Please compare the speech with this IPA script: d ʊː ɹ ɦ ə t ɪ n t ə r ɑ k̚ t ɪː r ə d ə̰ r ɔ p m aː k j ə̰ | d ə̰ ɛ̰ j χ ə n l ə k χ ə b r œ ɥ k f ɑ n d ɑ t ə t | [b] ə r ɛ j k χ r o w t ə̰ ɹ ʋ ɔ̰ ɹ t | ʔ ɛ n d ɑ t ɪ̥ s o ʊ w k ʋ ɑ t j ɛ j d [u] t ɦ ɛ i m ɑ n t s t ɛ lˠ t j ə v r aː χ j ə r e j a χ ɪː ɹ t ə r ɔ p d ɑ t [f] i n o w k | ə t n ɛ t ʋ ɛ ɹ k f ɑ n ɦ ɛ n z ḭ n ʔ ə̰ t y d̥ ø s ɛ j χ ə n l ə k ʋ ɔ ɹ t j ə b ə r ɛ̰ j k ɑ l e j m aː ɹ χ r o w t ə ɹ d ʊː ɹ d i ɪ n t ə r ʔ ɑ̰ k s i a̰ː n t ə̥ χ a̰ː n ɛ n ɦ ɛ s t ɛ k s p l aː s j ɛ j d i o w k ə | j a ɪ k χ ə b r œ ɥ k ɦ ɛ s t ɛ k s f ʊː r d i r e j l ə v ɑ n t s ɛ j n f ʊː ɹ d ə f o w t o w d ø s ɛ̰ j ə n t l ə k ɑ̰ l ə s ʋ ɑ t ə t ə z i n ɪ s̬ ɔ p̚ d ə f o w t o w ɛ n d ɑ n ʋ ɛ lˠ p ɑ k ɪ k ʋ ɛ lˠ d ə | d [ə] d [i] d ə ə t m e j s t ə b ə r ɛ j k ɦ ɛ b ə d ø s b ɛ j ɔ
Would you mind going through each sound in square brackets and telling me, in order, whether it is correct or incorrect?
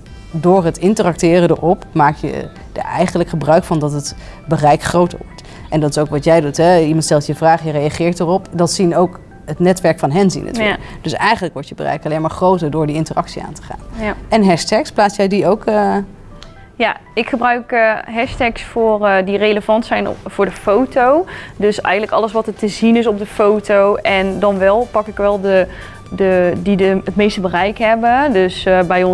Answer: correct, correct, incorrect, correct, correct

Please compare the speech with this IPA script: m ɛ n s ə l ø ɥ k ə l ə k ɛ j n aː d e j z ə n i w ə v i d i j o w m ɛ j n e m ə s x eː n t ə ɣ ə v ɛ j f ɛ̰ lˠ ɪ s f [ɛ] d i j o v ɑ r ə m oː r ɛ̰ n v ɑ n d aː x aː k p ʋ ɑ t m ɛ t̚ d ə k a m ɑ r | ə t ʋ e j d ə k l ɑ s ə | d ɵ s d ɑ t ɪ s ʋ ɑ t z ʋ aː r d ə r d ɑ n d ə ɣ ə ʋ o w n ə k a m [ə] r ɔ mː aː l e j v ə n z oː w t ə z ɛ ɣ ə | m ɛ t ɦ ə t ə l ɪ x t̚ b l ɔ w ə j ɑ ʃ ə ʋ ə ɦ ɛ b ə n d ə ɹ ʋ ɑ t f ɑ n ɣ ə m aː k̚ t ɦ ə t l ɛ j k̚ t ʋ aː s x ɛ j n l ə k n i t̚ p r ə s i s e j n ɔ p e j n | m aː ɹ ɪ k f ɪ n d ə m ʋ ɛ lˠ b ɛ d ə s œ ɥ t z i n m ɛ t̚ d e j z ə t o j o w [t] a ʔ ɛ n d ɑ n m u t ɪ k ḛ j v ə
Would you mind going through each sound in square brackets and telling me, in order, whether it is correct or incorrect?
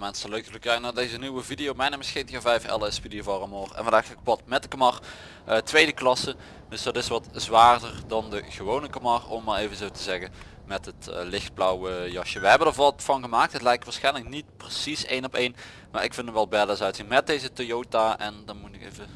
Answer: incorrect, incorrect, correct

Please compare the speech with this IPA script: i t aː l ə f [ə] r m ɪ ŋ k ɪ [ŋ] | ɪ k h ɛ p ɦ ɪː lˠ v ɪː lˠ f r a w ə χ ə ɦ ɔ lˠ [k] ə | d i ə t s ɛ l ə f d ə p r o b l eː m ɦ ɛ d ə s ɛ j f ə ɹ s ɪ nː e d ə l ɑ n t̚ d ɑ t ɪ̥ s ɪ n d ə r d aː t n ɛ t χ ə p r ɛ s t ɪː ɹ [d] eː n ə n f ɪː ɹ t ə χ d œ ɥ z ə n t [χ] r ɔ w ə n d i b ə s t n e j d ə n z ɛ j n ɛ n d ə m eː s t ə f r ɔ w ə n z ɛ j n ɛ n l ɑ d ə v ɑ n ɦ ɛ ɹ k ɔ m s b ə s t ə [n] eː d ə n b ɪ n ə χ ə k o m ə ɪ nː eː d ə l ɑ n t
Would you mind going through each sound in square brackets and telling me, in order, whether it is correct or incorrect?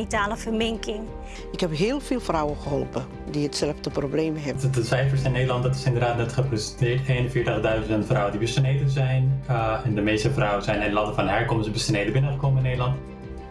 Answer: correct, correct, incorrect, incorrect, incorrect, correct

